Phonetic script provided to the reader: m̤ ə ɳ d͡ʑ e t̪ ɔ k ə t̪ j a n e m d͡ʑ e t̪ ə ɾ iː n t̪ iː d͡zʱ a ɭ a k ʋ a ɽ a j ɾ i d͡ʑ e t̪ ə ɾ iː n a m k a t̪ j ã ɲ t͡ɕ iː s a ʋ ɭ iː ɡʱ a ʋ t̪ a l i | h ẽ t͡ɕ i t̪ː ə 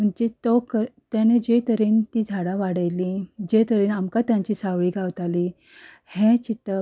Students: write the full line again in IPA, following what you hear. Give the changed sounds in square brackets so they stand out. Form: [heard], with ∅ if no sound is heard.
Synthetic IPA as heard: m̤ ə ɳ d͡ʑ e t̪ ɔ k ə t̪ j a n e [∅] d͡ʑ e t̪ ə ɾ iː n t̪ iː d͡zʱ a [ɽ] a [∅] ʋ a ɽ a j [l] i d͡ʑ e t̪ ə ɾ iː n a m k a t̪ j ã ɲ t͡ɕ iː s a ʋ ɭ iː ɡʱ a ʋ t̪ a l i | h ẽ t͡ɕ i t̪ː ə